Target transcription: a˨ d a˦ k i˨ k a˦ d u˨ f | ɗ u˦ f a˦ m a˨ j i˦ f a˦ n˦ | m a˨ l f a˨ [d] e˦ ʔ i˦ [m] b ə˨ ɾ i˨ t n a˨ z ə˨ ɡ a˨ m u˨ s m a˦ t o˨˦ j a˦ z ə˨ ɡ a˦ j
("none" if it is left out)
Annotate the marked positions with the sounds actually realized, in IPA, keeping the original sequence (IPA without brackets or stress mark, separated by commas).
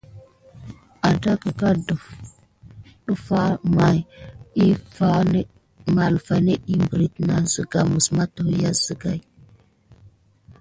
n, m